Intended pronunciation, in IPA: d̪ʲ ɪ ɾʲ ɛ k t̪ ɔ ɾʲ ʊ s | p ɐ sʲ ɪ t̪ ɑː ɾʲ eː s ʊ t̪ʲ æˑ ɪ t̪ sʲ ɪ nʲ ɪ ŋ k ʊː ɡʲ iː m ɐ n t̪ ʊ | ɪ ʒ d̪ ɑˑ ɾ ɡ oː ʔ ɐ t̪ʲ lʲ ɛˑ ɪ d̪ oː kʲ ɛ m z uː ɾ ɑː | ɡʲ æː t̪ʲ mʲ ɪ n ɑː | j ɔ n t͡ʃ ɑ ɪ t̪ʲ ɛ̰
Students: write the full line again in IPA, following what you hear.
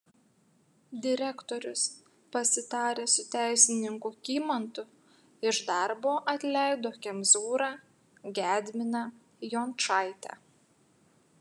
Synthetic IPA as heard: d̪ʲ ɪ ɾʲ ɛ k t̪ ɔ ɾʲ ʊ s | p ɐ sʲ ɪ t̪ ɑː ɾʲ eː s ʊ t̪ʲ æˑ ɪ sʲ ɪ nʲ ɪ ŋ k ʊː kʲ iː m ɐ n t̪ ʊ | ɪ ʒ d̪ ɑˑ ɾ b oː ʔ ɐ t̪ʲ lʲ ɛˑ ɪ d̪ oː kʲ ɛ m z uː ɾ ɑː | ɡʲ æː d̪ʲ mʲ ɪ n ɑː | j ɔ n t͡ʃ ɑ ɪ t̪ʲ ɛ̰